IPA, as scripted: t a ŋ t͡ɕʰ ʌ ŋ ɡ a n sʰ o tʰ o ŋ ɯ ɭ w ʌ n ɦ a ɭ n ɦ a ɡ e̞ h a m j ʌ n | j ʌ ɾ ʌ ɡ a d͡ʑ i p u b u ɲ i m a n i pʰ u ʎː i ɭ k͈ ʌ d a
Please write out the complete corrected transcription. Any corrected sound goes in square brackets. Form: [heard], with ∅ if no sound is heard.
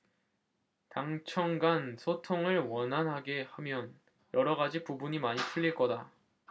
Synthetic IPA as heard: t a ŋ t͡ɕʰ ʌ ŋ ɡ a n sʰ o tʰ o ŋ ɯ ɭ w ʌ n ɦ a [∅] n ɦ a ɡ e̞ h a m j ʌ n | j ʌ ɾ ʌ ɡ a d͡ʑ i p u b u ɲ i m a [ɲ] i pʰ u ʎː i ɭ k͈ ʌ d a